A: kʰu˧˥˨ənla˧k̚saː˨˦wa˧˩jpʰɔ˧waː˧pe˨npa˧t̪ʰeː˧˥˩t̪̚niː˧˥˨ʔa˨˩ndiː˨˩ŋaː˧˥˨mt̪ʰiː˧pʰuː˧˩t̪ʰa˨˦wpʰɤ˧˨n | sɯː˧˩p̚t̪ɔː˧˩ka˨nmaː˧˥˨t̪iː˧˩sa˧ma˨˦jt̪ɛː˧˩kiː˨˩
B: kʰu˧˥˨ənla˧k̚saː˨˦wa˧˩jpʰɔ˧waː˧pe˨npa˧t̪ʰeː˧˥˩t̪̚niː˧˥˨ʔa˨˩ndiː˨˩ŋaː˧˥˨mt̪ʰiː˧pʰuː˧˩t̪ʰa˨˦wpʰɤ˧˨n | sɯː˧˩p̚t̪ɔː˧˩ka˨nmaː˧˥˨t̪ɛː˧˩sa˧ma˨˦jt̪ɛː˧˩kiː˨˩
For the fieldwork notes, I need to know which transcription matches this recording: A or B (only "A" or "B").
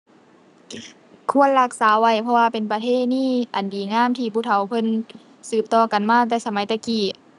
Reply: B